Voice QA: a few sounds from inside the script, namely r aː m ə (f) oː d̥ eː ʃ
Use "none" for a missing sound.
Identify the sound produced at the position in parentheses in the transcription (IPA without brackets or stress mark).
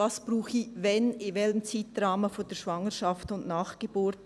f